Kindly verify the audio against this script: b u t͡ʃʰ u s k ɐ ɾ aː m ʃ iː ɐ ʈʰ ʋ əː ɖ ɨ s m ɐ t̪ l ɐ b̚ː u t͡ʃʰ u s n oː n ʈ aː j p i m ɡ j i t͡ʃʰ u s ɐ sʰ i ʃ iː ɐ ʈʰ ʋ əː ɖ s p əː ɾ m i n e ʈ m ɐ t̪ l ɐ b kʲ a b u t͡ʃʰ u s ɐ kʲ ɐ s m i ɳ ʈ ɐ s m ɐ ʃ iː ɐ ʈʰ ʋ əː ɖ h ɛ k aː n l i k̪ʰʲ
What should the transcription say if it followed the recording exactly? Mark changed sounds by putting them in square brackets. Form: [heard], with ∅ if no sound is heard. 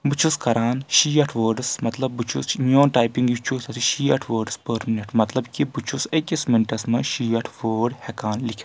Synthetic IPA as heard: b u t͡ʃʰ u s k ɐ ɾ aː [n] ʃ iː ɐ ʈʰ ʋ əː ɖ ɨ s m ɐ t̪ l ɐ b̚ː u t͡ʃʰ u s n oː n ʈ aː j p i [ŋ] ɡ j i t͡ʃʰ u s ɐ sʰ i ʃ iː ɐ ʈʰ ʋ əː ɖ s p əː ɾ m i n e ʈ m ɐ t̪ l ɐ b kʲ [i] b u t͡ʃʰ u s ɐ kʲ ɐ s m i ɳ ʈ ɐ s m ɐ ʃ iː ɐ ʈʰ ʋ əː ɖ h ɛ k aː n l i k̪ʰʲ